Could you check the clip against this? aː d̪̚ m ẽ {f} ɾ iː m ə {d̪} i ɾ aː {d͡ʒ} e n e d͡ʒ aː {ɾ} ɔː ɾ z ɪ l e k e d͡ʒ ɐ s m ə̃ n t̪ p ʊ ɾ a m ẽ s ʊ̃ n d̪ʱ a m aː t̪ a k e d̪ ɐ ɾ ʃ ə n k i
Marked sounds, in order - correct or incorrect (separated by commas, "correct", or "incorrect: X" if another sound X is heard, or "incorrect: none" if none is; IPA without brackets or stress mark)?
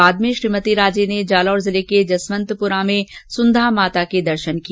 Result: incorrect: ʃ, incorrect: t̪, correct, incorrect: l